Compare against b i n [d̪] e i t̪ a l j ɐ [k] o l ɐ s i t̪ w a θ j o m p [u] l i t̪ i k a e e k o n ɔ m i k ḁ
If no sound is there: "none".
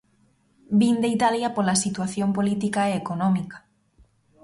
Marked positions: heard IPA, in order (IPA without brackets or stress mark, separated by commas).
d̪, p, o